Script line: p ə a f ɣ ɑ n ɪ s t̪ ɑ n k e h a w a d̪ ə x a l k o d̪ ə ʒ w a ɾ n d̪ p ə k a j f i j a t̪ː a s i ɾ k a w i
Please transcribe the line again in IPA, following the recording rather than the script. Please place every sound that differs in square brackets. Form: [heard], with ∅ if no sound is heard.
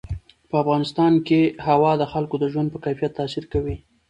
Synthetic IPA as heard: p ə a f ɣ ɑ n ɪ s t̪ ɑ n k e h a w [ɑ] d̪ ə x a l k o d̪ ə ʒ w a [∅] n d̪ p ə k a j f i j a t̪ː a s i ɾ k a w i